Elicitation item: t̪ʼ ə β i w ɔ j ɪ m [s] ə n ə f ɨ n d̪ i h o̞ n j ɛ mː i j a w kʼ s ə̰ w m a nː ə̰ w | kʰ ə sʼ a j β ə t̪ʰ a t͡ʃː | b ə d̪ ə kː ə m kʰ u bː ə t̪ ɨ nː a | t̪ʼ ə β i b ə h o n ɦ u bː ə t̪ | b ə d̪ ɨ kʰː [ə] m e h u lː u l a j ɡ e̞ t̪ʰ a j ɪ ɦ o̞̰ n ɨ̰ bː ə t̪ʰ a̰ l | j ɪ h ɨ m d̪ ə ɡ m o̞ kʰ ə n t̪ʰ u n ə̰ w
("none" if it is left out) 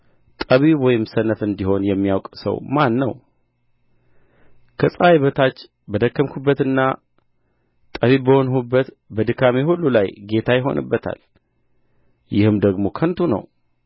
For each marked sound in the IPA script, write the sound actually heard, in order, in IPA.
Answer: s, a

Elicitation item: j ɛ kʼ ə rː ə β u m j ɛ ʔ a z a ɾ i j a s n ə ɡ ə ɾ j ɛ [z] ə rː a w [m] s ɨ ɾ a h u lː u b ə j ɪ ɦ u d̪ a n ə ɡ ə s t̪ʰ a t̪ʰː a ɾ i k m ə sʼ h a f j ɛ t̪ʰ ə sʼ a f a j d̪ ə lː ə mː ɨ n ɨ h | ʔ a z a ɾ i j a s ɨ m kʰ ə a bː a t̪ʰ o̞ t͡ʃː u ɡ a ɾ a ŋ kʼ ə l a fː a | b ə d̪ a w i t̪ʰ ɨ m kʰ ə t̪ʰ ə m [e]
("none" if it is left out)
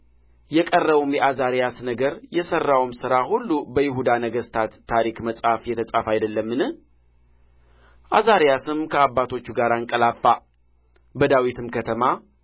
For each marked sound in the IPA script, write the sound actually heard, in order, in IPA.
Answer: s, m, a

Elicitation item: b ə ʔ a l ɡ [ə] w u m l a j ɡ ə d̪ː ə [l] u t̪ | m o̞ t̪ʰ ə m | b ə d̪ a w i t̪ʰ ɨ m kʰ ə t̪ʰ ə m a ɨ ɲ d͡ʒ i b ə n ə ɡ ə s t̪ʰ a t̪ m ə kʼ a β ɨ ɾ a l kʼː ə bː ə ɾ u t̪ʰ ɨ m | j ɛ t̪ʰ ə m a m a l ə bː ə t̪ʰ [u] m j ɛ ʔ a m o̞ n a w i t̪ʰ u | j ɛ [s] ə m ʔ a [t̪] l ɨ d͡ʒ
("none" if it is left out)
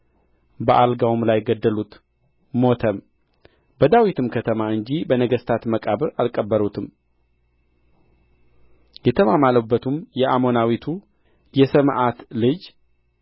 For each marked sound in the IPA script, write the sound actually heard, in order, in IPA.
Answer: a, l, u, s, t̪

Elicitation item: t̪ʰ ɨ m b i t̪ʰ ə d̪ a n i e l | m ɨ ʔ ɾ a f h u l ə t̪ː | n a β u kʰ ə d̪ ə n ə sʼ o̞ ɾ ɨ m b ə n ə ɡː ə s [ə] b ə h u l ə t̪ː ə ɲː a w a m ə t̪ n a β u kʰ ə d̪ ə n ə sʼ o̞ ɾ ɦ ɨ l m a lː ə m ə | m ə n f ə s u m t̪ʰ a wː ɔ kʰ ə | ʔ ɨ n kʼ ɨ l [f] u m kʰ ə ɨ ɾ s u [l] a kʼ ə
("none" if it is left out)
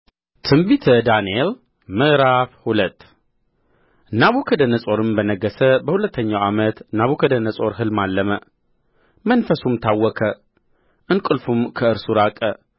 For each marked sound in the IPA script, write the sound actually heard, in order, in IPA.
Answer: ə, f, ɾ

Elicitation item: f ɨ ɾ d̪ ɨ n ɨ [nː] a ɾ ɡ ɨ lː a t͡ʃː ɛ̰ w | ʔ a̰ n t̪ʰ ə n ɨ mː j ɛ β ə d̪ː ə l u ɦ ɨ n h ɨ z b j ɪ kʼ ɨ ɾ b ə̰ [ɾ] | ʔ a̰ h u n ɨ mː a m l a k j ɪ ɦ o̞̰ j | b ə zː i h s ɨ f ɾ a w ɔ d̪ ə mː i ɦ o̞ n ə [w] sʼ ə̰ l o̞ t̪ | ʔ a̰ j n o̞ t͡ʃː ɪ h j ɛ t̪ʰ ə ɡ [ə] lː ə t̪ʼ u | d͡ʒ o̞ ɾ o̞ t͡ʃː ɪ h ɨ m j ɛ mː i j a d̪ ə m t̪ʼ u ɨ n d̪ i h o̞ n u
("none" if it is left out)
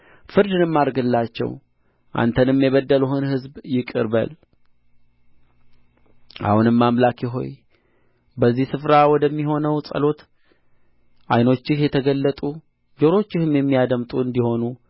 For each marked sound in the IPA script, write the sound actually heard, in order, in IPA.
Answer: mː, l, w, ə

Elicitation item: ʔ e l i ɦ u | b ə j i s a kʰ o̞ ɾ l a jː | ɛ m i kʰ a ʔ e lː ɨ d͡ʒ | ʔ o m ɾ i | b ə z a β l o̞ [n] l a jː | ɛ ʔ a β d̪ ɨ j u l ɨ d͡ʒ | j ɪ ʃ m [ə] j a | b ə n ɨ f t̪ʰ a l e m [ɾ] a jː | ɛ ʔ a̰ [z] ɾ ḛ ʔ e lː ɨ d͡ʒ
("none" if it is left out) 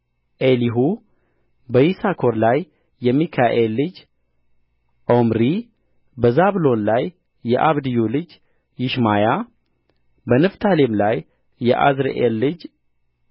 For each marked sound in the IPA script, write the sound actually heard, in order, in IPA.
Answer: n, a, l, z

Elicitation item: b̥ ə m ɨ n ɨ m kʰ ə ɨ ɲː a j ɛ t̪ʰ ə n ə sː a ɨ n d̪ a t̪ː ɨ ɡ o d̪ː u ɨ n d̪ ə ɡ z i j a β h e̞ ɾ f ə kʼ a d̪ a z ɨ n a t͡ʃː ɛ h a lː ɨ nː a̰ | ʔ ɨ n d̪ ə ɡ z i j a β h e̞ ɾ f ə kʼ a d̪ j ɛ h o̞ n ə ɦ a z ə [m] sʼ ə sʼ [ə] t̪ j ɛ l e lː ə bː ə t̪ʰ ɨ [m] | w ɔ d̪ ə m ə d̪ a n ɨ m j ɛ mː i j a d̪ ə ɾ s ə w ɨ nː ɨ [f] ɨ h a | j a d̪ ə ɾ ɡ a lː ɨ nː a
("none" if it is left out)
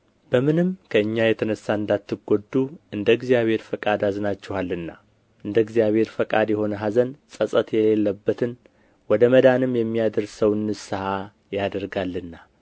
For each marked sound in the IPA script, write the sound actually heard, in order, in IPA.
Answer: n, ə, n, s

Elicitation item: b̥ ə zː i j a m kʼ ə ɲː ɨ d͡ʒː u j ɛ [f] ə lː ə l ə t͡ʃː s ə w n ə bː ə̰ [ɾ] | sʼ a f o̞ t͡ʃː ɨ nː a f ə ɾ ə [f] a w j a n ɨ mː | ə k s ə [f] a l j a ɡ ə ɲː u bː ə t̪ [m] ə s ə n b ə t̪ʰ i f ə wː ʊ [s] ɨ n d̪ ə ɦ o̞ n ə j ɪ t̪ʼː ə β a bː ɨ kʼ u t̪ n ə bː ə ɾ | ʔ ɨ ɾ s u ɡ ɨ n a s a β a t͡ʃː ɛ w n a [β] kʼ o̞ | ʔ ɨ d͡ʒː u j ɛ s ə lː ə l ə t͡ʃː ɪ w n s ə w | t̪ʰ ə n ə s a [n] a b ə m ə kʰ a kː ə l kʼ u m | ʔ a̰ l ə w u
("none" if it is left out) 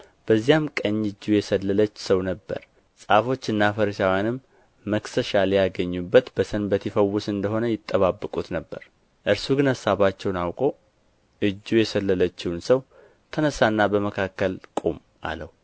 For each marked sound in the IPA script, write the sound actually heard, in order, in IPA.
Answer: s, ɾ, ʃ, ʃ, b, s, w, nː

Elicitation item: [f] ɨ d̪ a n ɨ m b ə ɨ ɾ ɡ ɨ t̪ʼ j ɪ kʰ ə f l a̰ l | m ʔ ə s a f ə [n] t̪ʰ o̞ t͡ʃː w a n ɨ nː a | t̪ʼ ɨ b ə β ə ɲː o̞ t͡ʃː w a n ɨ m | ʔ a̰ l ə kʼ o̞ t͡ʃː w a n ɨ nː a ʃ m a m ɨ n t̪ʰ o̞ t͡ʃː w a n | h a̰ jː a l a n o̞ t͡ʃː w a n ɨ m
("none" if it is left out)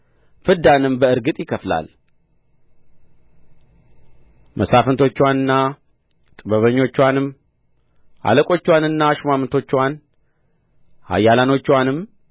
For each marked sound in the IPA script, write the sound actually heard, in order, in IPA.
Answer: f, n

